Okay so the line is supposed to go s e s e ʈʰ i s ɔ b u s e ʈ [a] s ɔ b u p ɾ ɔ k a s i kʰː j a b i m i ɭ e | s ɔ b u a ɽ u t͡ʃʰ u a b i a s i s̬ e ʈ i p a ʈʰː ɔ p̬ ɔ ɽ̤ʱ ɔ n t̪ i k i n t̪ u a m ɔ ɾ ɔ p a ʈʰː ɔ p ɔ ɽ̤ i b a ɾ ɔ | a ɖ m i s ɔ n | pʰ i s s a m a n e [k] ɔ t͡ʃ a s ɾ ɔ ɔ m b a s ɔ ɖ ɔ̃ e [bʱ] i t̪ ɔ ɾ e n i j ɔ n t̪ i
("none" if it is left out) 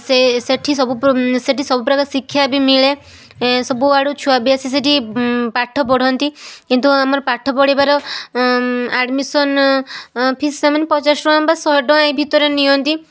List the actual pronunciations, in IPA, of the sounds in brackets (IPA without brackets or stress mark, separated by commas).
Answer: i, p, bʱ